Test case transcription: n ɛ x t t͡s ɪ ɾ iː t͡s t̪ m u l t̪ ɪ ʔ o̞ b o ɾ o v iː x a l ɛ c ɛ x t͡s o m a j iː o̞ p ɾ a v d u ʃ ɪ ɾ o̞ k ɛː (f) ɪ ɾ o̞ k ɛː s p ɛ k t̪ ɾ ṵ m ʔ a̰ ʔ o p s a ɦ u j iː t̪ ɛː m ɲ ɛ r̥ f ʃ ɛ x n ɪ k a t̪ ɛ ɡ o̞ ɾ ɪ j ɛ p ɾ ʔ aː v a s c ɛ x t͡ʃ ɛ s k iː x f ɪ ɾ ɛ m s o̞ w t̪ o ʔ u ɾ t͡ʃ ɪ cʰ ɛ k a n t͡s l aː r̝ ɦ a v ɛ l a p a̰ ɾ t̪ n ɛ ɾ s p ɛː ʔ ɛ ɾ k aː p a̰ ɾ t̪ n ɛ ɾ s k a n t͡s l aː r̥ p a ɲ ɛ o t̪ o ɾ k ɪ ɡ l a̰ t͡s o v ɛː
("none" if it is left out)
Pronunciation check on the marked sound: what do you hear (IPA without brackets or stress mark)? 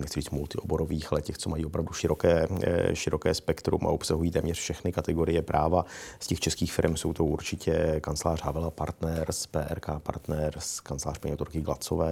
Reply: ʃ